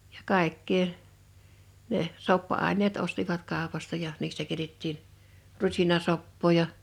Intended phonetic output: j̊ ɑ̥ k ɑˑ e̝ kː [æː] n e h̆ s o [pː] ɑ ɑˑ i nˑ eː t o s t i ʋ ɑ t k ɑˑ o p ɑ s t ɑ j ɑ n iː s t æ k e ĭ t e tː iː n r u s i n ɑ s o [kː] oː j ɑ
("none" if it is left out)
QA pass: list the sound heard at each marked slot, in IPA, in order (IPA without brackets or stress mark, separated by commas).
eː, pː, pː